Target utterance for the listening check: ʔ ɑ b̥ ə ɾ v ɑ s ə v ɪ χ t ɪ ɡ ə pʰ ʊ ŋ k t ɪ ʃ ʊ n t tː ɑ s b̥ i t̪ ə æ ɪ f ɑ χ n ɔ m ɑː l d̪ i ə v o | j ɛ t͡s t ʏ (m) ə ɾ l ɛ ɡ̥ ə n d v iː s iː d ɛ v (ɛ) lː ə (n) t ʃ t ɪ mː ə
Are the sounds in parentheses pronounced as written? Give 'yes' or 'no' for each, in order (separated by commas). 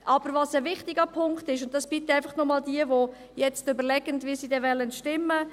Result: no, yes, yes